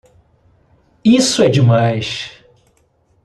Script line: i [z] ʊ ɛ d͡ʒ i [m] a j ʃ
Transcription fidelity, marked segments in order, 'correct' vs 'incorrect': incorrect, correct

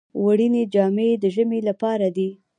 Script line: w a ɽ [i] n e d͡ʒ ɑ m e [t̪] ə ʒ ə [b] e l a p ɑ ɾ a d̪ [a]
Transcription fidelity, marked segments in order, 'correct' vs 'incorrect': correct, incorrect, incorrect, incorrect

